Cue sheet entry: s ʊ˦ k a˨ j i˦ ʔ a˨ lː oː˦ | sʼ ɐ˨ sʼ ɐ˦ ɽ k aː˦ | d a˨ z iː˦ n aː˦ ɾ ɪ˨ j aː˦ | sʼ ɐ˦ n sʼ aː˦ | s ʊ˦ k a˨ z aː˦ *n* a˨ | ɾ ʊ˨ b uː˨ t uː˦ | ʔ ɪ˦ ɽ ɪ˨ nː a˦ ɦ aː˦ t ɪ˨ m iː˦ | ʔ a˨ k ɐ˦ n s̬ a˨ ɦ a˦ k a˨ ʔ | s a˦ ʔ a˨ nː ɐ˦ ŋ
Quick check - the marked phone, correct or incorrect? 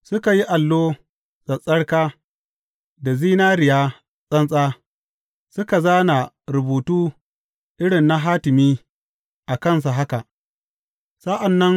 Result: correct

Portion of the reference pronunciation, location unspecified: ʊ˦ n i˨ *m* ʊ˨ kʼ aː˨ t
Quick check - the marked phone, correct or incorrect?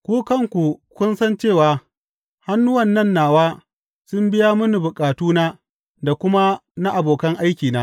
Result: incorrect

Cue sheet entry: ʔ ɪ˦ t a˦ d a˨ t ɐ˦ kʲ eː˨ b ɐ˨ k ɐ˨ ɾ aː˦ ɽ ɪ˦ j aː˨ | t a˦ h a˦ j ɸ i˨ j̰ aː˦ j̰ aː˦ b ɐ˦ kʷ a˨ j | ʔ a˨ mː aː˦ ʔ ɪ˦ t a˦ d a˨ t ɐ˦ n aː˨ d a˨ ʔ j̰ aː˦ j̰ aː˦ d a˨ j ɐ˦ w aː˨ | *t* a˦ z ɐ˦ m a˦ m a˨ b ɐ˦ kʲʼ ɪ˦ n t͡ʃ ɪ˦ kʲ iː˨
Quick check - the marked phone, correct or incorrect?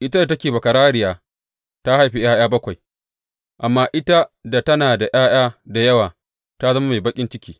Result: correct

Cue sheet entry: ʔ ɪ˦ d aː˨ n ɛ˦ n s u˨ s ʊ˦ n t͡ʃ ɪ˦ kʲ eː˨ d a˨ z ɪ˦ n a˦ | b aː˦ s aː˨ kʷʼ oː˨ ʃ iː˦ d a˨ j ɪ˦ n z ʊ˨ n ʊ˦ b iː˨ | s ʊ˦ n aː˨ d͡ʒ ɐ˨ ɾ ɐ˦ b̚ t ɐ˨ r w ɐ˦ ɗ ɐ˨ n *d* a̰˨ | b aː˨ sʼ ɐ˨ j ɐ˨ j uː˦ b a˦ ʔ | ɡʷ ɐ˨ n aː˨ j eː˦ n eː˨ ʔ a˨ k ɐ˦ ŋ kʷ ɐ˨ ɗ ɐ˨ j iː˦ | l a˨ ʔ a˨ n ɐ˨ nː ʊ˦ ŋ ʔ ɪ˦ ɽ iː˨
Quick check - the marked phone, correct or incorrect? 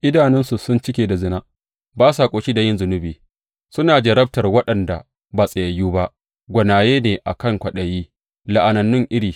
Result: correct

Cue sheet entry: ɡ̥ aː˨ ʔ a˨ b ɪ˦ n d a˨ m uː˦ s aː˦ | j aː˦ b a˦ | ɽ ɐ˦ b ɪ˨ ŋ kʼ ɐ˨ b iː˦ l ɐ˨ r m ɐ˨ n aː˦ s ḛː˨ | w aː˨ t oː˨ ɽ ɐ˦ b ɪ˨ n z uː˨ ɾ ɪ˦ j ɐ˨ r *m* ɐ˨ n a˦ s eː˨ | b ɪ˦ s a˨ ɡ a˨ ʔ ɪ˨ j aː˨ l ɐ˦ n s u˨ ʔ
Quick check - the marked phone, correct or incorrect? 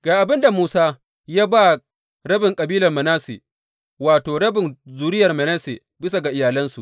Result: correct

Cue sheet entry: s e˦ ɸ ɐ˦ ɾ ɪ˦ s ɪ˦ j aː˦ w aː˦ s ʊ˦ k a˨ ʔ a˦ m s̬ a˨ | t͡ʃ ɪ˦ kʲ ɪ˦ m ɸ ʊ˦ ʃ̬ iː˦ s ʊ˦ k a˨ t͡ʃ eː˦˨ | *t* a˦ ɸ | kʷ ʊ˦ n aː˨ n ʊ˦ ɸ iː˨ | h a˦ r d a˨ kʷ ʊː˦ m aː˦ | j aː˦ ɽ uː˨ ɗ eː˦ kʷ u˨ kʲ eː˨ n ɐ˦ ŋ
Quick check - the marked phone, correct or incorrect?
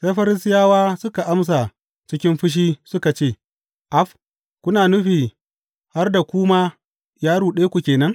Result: incorrect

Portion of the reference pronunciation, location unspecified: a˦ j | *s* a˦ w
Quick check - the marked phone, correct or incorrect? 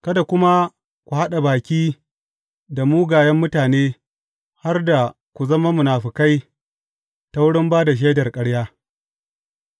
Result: incorrect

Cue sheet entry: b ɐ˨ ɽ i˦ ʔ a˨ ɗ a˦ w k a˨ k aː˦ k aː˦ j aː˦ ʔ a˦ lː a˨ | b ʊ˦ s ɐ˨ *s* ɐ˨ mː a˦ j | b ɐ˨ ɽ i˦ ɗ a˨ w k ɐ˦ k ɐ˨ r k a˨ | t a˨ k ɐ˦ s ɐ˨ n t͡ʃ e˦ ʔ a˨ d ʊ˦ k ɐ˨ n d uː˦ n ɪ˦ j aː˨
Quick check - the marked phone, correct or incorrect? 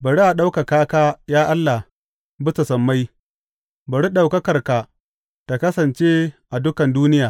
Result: correct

